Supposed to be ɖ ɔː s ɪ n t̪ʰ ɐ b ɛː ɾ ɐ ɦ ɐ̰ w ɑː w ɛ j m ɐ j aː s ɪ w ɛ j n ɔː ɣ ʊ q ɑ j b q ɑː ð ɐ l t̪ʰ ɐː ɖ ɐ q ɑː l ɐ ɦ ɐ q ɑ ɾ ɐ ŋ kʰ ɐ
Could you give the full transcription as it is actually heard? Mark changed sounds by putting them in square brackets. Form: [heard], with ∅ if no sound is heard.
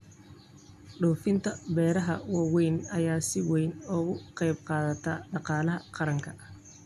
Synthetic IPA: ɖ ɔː [f] ɪ n t̪ʰ ɐ b ɛː ɾ ɐ ɦ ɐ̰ w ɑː w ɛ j [n] ɐ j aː s ɪ w ɛ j n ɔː ɣ ʊ q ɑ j b q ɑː ð ɐ [∅] t̪ʰ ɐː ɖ [ɑ] q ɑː l ɐ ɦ ɐ q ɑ ɾ ɐ ŋ kʰ ɐ